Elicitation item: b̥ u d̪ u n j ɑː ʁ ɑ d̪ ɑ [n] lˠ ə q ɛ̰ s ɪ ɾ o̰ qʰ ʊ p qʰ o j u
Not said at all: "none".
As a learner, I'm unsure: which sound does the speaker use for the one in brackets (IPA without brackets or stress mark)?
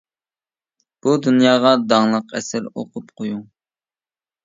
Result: ŋ